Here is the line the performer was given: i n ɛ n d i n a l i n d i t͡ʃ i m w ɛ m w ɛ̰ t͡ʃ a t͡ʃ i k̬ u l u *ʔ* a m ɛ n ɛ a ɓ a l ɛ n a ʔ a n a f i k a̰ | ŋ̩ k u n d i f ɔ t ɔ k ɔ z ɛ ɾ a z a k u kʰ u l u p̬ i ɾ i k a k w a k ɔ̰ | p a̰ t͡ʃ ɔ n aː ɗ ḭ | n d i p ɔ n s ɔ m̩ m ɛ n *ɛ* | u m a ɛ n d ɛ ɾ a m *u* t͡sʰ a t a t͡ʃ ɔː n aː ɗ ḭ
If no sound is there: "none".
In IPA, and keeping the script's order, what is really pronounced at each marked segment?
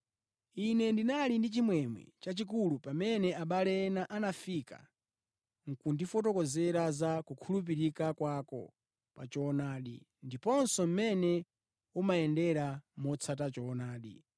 p, ɛ, ɔ

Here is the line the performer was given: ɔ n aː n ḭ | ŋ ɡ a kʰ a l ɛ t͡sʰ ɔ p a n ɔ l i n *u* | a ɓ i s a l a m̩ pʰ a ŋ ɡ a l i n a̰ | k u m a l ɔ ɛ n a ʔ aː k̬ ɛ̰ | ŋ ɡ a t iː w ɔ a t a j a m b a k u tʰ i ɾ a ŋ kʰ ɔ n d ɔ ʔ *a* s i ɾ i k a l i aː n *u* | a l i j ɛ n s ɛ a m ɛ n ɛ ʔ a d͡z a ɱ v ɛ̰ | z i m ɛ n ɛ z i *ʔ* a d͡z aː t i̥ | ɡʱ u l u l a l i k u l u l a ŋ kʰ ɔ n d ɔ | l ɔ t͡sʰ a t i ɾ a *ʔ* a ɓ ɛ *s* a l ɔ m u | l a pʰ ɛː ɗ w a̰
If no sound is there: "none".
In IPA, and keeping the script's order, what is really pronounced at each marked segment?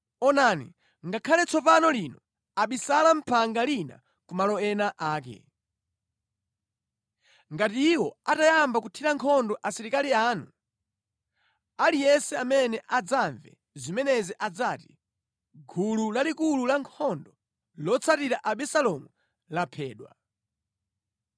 ɔ, a, u, ʔ, ʔ, s

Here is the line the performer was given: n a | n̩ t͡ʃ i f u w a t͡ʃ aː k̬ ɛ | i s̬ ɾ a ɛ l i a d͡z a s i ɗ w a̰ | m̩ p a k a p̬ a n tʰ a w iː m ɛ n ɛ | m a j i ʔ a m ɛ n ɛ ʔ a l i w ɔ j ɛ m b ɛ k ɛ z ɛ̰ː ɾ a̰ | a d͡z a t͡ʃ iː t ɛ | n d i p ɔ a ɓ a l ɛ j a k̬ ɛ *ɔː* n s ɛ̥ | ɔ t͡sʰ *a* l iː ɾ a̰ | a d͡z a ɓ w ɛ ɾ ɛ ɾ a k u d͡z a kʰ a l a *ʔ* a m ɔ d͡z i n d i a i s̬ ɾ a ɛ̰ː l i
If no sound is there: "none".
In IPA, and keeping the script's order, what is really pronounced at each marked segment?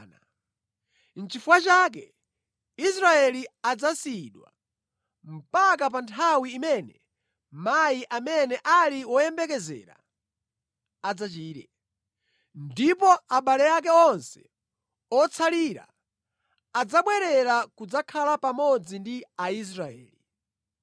ɔ, a, p

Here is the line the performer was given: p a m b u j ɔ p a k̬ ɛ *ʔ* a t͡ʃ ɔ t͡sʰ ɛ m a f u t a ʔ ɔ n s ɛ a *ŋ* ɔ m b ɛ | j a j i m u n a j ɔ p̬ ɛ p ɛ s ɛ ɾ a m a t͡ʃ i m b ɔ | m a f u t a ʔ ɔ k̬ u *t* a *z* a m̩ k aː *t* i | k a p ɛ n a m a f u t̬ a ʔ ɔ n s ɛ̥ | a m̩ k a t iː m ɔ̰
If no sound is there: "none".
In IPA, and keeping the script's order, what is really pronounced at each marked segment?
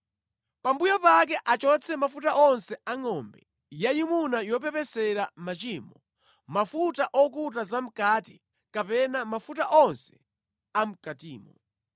ʔ, ŋ, t, z, t

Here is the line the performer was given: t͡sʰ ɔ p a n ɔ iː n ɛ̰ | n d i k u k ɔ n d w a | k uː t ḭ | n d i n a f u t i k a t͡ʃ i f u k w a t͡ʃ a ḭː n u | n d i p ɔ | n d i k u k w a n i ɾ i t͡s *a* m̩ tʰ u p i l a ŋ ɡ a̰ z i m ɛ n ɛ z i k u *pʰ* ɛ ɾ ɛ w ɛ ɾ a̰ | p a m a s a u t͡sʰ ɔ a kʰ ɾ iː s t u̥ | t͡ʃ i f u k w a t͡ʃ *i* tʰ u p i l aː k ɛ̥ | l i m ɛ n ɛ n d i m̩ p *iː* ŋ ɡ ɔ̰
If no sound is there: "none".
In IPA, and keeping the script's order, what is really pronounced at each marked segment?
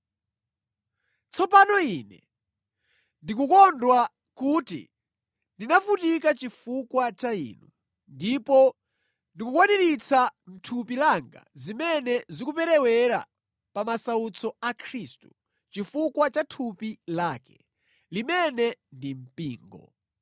a, p, a, iː

